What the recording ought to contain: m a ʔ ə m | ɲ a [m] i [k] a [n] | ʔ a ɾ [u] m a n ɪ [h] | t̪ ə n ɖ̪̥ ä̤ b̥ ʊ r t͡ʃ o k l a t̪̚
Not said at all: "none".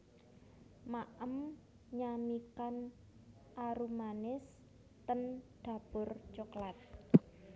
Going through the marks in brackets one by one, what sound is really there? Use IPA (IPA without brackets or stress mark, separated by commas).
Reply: m, k, n, u, s